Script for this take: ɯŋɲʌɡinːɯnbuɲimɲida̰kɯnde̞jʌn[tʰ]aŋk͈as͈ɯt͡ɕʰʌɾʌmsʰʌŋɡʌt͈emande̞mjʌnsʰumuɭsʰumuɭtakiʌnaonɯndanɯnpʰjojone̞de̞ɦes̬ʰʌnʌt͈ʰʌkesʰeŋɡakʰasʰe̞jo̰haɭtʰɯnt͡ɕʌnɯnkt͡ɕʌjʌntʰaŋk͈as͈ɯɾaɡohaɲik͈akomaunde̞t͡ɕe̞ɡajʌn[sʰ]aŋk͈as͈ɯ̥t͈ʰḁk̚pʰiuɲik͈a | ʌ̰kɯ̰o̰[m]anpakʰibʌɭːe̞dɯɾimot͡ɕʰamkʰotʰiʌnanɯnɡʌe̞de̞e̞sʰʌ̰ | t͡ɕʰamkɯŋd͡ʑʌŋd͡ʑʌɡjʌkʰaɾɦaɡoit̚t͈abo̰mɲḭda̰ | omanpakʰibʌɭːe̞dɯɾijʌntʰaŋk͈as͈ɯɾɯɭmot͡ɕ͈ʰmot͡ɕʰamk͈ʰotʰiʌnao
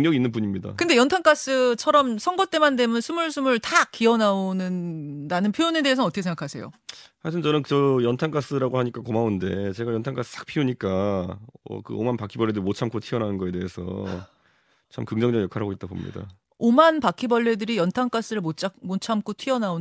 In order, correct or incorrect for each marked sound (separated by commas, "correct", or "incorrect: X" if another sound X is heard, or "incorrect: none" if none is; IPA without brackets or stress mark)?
correct, incorrect: tʰ, correct